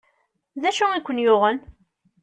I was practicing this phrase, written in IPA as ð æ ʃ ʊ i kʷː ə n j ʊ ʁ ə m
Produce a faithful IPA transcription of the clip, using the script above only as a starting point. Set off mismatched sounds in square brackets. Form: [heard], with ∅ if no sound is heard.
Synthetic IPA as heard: ð æ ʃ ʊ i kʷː ə n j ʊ ʁ ə [n]

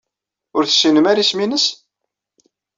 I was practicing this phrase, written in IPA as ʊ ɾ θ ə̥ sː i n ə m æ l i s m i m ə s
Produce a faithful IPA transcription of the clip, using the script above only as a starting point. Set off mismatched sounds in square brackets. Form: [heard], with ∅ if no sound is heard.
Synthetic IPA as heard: ʊ ɾ θ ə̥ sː i n ə m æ [ɾ] i s m i [n] ə s

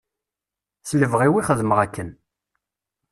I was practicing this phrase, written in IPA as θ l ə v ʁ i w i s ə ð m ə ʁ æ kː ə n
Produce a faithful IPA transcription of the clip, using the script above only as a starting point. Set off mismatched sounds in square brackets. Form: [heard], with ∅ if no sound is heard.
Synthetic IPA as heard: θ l ə v ʁ i w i [χ] ə ð m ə ʁ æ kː ə n

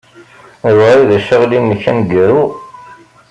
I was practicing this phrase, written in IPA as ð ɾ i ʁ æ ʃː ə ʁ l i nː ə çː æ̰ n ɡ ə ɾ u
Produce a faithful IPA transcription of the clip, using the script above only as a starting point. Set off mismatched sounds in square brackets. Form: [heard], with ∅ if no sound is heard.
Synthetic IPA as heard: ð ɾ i [ð] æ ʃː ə ʁ l i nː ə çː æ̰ n ɡ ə ɾ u

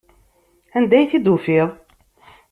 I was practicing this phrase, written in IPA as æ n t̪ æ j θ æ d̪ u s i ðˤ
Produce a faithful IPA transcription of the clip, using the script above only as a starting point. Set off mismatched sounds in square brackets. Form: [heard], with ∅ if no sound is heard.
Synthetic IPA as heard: æ n [d̪] æ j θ [i] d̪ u [f] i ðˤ

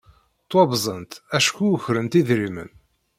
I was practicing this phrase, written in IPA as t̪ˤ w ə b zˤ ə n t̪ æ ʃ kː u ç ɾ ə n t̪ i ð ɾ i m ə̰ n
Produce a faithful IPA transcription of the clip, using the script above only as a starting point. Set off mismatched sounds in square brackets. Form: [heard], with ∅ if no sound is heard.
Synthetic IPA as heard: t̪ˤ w [ɑ] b zˤ ə n t̪ æ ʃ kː u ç ɾ ə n t̪ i ð ɾ i m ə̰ n

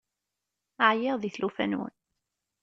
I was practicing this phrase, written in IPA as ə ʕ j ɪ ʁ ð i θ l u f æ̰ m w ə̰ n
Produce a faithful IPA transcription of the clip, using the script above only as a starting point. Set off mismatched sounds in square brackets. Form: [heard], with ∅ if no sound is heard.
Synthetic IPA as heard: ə ʕ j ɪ ʁ ð i θ l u f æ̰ [n] w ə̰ n

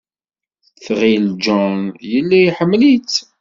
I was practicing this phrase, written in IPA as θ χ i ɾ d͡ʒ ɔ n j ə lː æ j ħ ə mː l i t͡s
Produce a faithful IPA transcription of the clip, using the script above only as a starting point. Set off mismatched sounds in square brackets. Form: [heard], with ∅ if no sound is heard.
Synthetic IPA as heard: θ [ʁ] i [l] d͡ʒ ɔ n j ə lː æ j ħ ə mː l i t͡s

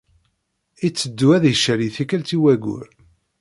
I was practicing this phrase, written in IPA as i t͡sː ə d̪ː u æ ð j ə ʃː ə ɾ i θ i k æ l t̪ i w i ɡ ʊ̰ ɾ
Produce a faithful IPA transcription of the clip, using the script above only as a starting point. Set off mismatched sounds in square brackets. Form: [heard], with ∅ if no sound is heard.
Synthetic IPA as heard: i t͡sː ə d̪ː u æ ð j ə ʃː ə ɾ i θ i k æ l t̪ i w [æ] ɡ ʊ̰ ɾ

